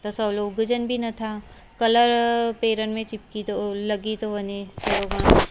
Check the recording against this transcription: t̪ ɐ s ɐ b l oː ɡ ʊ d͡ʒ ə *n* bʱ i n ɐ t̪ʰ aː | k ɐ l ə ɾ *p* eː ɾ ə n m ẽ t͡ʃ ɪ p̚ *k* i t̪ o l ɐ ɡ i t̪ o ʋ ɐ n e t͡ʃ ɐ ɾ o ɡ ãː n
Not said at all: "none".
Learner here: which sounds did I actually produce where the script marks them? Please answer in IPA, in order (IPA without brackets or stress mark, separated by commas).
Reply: n, p, k